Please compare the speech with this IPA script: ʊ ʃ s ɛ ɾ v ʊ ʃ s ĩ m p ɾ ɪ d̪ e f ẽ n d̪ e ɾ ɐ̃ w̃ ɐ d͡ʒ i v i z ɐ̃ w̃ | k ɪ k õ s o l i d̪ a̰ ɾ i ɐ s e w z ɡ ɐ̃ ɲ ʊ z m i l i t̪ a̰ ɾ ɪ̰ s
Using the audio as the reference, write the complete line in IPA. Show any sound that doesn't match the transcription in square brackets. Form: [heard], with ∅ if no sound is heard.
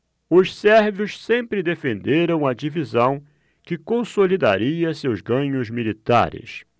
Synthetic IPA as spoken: ʊ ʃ s ɛ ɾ v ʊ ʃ s [ẽ] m p ɾ ɪ d̪ e f ẽ n d̪ e ɾ ɐ̃ w̃ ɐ d͡ʒ i v i z ɐ̃ w̃ | k ɪ k õ s o l i d̪ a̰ ɾ i ɐ s e w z ɡ ɐ̃ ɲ ʊ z m i l i t̪ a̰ ɾ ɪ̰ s